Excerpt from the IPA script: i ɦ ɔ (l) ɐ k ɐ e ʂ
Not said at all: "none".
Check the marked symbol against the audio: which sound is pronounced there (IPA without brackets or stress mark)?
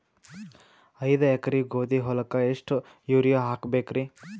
l